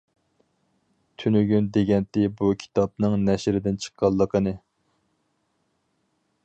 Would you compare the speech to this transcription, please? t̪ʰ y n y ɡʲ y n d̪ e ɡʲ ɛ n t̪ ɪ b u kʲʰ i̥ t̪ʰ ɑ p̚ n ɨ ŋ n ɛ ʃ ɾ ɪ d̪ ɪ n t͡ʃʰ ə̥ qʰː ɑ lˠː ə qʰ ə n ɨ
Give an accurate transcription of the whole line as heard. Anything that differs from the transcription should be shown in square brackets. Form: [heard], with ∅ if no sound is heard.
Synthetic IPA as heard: t̪ʰ y n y ɡʲ y n d̪ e ɡʲ ɛ n t̪ ɪ b u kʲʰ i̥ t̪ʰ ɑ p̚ n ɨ ŋ n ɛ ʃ ɾ ɪ d̪ ɪ n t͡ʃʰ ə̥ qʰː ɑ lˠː ə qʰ ə n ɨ